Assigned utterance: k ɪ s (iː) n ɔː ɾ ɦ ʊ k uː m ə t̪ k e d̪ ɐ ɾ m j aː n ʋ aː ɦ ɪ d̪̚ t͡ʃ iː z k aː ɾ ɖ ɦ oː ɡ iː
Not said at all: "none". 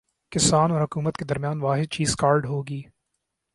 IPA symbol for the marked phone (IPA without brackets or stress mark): aː